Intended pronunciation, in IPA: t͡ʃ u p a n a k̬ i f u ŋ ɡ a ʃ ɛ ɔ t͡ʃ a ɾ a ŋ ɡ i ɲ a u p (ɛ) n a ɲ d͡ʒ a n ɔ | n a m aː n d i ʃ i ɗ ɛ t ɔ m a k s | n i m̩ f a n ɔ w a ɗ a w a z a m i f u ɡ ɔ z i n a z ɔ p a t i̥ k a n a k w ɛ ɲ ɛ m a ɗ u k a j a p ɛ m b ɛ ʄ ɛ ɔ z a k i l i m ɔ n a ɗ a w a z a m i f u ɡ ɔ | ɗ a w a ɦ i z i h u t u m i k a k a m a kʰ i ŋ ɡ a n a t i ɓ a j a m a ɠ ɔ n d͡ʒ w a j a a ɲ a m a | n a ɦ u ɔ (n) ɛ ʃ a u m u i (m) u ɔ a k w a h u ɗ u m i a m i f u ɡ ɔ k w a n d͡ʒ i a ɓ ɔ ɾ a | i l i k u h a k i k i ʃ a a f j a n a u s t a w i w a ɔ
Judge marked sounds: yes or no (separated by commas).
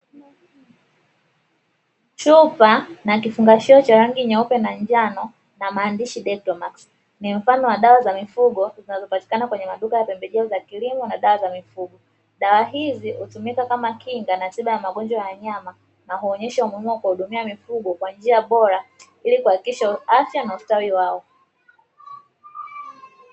yes, no, yes